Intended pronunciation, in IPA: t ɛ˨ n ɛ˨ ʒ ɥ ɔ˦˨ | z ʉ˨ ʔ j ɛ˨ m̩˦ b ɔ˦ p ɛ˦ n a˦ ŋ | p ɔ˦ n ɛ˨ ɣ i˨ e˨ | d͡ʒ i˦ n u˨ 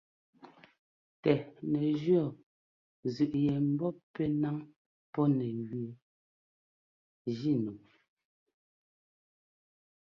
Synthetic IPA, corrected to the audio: t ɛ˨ n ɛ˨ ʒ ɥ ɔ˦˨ | z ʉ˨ ʔ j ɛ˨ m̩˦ b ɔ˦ p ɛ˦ n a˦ ŋ | p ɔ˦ n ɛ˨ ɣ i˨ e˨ | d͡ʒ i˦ n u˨